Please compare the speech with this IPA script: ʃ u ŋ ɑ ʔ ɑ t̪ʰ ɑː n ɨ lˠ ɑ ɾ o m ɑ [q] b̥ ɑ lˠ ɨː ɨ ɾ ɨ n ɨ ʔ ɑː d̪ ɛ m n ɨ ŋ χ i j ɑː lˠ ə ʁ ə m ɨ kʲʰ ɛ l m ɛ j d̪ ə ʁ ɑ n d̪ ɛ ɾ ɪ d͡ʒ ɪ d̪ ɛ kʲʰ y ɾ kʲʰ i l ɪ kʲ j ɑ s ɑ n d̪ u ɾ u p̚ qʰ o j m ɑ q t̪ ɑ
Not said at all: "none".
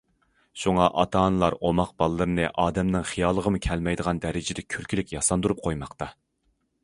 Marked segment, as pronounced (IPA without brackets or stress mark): q